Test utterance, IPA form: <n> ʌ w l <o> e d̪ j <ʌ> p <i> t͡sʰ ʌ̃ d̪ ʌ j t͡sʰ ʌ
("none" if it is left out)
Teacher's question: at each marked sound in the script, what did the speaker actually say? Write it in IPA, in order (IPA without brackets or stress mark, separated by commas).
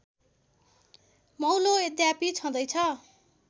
m, o, a, i